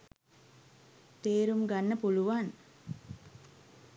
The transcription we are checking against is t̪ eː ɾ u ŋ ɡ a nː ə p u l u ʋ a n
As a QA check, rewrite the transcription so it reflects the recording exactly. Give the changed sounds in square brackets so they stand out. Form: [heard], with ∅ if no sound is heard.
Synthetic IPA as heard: t̪ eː ɾ u [m] ɡ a nː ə p u l u ʋ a n